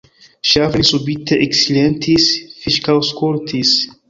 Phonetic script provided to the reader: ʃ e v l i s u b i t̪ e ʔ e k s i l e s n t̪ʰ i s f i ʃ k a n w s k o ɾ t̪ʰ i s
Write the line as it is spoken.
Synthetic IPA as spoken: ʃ a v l i s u b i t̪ e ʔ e k s i l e n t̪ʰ i s f i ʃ k a w s k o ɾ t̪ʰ i s